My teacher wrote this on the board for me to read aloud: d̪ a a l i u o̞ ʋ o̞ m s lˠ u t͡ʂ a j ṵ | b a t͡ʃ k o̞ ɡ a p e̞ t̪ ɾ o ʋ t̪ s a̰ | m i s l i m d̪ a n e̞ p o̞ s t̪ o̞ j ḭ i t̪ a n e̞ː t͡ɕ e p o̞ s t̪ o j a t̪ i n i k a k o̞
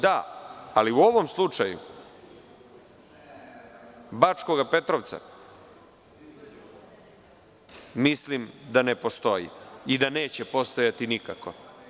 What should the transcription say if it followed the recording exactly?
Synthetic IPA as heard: d̪ a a l i u o̞ ʋ o̞ m s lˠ u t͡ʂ a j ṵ | b a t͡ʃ k o̞ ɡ a p e̞ t̪ ɾ o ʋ t̪ s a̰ | m i s l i m d̪ a n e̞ p o̞ s t̪ o̞ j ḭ i d̪ a n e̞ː t͡ɕ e p o̞ s t̪ o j a t̪ i n i k a k o̞